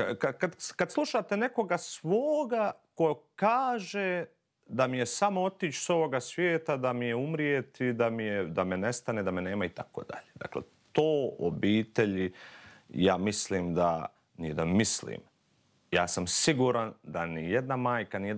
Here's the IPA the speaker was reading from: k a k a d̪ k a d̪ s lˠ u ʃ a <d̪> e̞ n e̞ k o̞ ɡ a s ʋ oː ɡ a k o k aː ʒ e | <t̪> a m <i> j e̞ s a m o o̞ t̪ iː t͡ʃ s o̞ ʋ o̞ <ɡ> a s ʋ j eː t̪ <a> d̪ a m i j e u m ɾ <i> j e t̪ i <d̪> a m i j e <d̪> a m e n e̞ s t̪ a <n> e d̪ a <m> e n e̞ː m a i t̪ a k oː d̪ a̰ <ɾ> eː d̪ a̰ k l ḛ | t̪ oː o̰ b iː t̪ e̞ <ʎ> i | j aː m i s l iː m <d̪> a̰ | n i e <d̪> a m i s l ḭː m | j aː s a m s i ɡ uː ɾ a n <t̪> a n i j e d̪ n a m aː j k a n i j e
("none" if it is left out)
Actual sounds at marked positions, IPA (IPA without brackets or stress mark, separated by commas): t̪, d̪, i, ɡ, a, i, d̪, d̪, n, m, ʎ, ʎ, d̪, d̪, d̪